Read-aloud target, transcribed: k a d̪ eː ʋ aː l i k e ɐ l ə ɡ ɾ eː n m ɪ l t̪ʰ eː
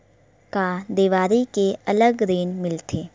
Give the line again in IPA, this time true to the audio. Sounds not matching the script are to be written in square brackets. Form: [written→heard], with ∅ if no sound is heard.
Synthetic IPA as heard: k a d̪ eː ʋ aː [l→ɾ] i k e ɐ l ə ɡ ɾ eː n m ɪ l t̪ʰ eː